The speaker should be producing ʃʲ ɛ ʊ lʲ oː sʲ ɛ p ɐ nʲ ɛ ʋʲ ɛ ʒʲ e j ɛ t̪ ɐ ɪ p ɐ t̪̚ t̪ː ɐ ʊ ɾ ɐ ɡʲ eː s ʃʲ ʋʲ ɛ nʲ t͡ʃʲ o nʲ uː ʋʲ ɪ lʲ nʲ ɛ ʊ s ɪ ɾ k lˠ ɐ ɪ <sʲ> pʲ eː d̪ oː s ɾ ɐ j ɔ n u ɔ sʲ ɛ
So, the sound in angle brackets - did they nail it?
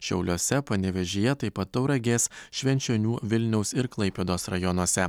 no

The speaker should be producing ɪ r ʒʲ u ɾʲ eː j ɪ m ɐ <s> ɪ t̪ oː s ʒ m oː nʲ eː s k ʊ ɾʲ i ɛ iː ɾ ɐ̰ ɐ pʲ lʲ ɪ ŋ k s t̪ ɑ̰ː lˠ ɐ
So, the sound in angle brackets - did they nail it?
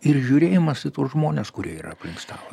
yes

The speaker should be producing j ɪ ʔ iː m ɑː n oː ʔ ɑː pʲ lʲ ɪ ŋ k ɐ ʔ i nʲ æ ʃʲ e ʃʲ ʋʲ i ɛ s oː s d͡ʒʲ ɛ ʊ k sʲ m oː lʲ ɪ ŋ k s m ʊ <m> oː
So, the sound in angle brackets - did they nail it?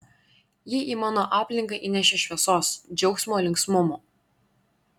yes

